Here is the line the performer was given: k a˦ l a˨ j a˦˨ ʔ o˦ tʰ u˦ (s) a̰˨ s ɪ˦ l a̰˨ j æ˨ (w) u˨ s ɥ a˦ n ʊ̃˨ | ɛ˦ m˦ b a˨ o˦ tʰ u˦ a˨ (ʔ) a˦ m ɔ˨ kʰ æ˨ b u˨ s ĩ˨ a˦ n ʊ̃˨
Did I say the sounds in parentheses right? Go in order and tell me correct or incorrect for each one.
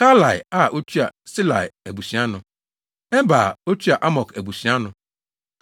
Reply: incorrect, incorrect, correct

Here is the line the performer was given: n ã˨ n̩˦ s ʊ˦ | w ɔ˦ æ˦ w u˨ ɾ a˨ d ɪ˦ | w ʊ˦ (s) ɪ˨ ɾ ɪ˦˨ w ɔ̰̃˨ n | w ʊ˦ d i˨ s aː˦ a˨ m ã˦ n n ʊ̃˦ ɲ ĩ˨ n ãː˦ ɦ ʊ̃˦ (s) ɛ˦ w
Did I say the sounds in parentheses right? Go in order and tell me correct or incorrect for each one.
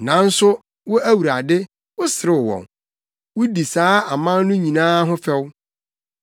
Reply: correct, incorrect

